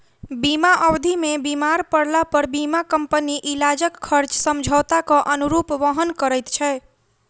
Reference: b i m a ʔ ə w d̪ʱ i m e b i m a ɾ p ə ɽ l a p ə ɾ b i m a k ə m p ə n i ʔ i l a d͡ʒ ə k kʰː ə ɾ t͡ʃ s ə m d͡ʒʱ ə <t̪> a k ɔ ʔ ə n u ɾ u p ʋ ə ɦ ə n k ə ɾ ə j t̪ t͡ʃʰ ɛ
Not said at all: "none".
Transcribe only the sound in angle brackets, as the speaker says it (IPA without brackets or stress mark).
t̪